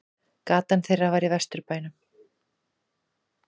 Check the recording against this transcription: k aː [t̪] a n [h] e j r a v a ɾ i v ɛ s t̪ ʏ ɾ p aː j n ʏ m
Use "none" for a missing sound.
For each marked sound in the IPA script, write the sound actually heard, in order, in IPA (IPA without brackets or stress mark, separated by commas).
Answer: t̪, θ